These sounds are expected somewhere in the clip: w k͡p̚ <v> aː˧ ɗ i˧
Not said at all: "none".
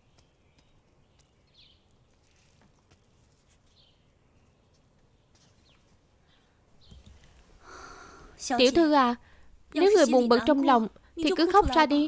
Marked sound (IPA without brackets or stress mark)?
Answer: z